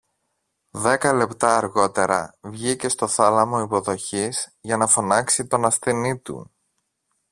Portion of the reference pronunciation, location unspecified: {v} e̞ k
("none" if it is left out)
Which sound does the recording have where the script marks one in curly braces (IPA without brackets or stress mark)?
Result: ð